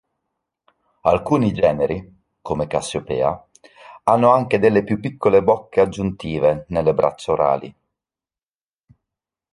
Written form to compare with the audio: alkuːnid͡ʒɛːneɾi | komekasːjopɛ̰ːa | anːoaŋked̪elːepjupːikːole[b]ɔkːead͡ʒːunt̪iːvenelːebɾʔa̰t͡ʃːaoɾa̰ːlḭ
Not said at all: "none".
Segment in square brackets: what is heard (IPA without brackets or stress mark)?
b